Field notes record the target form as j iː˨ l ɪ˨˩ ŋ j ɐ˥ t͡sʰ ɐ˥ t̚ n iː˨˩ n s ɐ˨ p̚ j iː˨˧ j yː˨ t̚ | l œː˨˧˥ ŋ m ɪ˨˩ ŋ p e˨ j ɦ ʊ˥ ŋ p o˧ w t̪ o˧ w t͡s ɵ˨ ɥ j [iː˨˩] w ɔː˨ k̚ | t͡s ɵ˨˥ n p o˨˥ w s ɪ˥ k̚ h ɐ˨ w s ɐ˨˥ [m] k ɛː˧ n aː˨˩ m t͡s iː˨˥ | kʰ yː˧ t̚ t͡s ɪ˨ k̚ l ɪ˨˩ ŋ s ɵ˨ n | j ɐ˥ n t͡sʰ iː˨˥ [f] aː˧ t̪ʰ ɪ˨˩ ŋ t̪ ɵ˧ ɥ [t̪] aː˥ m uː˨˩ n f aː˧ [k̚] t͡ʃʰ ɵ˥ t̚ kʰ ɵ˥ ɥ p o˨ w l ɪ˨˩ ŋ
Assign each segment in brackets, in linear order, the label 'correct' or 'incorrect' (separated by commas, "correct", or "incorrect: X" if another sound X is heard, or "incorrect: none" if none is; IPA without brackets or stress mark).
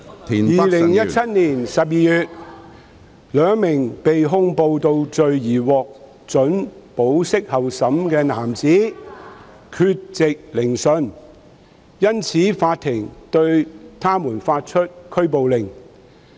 correct, correct, correct, incorrect: t̪ʰ, incorrect: t̚